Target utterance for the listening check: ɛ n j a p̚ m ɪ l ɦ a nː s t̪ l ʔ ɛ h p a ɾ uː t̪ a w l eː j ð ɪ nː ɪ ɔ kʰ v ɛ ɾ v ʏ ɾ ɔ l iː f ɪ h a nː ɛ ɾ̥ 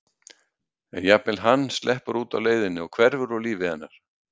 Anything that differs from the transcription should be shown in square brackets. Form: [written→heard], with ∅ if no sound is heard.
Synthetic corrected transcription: ɛ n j a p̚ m ɪ l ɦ a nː s t̪ l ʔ ɛ h p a ɾ uː t̪ a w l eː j ð ɪ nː ɪ ɔ kʰ v ɛ ɾ v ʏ ɾ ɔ l iː [f→v] ɪ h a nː [ɛ→a] ɾ̥